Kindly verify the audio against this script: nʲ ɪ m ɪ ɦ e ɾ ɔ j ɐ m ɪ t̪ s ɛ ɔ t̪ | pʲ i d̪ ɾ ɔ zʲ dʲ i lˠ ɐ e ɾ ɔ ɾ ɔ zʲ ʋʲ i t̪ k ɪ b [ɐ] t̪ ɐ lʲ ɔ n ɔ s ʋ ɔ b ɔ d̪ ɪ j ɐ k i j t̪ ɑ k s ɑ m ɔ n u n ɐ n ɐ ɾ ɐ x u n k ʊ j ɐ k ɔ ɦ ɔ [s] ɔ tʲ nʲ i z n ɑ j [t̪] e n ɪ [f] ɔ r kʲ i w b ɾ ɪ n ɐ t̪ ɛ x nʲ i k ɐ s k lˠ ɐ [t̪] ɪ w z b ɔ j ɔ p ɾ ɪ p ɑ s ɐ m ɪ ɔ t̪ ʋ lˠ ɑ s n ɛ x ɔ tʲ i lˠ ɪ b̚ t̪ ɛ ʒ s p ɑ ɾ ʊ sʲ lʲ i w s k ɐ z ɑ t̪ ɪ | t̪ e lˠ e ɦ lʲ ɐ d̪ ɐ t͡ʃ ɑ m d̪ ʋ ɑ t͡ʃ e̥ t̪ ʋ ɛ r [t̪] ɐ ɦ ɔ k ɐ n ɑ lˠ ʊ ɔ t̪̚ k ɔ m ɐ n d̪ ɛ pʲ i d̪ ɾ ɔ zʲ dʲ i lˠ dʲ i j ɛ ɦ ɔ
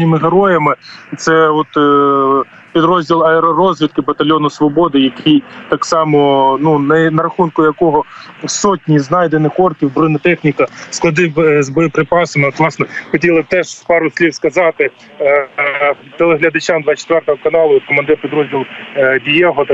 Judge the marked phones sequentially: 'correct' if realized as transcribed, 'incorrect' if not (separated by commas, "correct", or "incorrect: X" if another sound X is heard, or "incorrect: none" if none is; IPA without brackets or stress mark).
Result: correct, correct, incorrect: d̪, incorrect: x, incorrect: d̪, correct